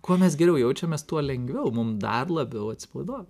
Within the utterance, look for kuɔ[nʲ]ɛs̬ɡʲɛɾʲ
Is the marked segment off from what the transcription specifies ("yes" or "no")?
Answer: yes